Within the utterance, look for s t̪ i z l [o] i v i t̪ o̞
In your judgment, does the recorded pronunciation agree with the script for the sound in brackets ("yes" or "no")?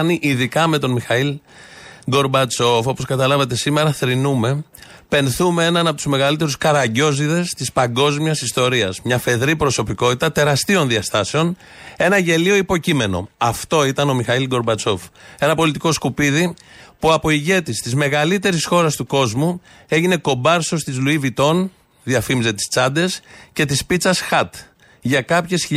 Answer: no